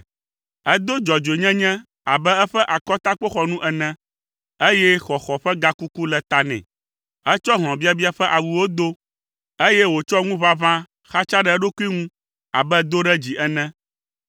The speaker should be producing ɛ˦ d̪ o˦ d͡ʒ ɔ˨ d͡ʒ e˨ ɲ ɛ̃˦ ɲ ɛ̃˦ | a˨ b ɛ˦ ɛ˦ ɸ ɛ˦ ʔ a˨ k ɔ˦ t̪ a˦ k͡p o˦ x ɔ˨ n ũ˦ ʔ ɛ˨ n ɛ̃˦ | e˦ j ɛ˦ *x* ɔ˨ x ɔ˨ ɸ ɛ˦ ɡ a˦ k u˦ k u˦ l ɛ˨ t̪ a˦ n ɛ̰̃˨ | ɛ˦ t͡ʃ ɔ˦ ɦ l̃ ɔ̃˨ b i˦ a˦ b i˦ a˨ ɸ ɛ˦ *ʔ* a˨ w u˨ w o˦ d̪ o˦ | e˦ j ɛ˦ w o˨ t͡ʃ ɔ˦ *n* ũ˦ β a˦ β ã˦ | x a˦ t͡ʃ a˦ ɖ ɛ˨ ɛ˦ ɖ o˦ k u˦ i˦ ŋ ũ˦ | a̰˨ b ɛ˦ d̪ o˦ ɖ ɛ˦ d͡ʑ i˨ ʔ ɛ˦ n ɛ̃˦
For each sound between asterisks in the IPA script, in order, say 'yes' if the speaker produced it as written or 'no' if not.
yes, yes, no

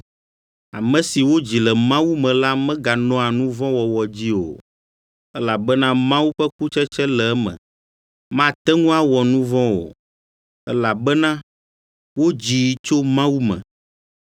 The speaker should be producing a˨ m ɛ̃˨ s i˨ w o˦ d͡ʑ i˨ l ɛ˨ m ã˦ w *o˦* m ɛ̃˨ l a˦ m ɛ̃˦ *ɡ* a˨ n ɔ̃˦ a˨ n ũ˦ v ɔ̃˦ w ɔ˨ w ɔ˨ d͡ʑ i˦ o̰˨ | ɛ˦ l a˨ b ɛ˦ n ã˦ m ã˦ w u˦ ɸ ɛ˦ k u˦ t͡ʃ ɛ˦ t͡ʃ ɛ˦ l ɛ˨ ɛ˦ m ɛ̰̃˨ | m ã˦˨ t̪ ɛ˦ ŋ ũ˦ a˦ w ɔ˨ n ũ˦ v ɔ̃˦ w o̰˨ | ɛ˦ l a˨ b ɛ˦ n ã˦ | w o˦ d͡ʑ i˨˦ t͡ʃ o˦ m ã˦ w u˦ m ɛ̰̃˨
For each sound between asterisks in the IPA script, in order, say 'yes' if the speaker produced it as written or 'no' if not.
no, yes

